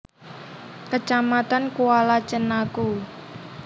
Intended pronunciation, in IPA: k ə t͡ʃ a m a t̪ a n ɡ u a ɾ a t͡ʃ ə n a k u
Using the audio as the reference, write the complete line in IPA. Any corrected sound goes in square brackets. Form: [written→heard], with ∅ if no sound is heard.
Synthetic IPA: k ə t͡ʃ a m a t̪ a n [ɡ→k] u a [ɾ→l] a t͡ʃ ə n a k u